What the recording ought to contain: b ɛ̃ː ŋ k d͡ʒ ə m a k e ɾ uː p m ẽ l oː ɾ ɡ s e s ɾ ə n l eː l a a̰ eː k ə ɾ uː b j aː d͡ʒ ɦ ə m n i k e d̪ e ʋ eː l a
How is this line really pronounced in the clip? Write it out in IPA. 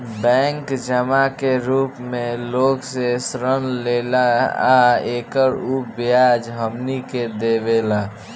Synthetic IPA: b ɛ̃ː ŋ k d͡ʒ ə m a k e ɾ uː p m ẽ l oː ɡ s e s ɾ ə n l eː l a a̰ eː k ə ɾ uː b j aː d͡ʒ ɦ ə m n i k e d̪ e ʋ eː l a